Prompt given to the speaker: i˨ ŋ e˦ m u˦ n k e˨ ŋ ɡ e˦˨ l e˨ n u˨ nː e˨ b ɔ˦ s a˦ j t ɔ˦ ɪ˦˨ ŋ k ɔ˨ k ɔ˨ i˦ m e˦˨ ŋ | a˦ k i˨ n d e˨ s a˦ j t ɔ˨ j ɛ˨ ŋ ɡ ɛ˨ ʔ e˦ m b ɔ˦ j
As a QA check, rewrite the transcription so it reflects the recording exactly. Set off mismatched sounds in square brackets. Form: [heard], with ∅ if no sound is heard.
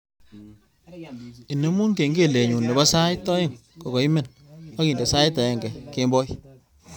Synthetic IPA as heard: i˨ [n] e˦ m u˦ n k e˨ ŋ ɡ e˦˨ l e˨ [ɲ] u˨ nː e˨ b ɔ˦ s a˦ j t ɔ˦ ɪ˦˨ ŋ k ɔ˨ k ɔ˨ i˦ m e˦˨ [n] | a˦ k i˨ n d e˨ s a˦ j t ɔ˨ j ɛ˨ ŋ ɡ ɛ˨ [k] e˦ m b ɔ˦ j